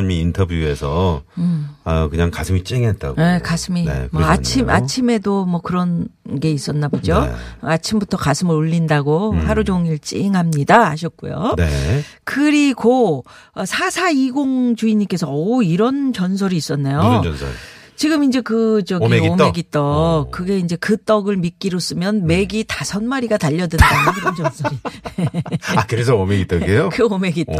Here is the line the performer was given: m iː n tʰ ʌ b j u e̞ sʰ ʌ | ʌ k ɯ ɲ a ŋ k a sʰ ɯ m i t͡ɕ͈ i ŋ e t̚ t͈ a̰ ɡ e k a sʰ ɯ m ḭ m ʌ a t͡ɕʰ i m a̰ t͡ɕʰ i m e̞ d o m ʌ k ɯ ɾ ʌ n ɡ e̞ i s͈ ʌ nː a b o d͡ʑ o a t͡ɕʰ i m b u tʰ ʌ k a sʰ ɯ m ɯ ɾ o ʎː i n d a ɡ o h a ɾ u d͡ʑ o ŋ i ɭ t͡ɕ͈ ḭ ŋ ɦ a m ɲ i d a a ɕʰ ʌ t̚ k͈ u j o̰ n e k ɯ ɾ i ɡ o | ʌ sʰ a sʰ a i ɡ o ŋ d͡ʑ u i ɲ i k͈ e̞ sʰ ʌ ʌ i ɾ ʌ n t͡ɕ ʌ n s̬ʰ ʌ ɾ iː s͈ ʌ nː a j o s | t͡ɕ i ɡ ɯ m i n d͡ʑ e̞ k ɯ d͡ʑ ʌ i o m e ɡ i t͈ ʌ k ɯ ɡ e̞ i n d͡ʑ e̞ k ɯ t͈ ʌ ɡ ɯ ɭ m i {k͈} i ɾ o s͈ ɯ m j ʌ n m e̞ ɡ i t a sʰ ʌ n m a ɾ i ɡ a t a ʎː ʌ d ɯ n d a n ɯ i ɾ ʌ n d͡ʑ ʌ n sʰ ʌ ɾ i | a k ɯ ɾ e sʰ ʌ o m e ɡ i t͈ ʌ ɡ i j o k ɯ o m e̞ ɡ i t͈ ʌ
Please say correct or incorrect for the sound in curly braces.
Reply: correct